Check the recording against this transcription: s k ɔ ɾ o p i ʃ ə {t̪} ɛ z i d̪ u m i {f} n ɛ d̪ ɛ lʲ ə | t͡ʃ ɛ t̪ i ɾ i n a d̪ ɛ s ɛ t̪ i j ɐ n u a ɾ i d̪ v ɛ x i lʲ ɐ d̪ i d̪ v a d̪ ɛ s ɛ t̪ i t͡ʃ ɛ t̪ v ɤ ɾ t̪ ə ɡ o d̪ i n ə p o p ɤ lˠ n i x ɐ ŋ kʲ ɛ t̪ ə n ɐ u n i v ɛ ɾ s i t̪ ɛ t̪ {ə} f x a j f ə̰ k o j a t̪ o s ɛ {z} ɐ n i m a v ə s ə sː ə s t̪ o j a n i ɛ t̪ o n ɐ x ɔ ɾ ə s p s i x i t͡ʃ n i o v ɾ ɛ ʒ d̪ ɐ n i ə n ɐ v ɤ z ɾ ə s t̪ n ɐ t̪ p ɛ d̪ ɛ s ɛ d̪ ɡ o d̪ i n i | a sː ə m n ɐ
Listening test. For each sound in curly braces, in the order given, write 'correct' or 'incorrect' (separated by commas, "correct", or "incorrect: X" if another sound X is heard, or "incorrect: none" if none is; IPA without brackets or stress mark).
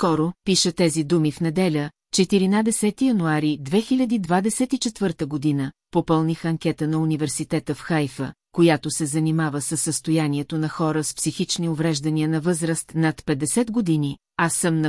correct, correct, correct, correct